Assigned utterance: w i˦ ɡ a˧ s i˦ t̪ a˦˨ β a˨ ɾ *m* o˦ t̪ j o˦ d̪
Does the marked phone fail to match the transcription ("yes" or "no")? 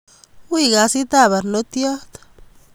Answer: yes